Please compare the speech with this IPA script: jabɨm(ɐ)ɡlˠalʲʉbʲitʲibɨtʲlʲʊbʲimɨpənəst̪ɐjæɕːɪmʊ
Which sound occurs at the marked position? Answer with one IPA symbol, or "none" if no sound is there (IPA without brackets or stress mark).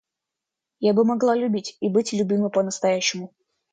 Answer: ɐ